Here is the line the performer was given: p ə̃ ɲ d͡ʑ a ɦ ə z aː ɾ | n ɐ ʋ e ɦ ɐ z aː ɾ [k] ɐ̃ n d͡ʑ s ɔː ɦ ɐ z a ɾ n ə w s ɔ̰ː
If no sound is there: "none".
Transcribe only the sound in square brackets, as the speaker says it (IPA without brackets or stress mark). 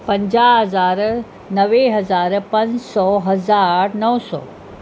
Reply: p